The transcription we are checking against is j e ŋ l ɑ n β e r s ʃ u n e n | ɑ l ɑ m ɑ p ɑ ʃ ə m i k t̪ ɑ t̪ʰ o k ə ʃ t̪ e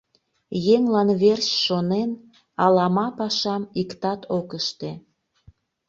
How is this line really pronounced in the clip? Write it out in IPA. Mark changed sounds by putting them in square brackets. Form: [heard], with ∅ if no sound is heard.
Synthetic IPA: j e ŋ l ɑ n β e r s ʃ [o] n e n | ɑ l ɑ m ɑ p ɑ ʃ [ɑ] m i k t̪ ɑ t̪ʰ o k ə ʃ t̪ e